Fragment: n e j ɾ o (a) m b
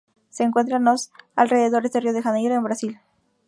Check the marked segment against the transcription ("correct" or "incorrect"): incorrect